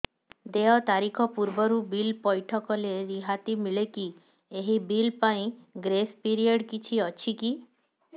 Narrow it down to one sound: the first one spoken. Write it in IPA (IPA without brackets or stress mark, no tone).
d̪